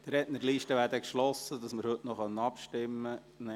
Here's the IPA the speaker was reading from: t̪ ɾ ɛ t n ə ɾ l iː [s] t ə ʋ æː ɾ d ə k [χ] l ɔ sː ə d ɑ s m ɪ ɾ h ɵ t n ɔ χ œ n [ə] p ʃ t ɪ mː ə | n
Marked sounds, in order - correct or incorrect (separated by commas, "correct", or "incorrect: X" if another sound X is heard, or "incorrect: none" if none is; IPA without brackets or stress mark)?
incorrect: ʃ, incorrect: ʃ, incorrect: ɑ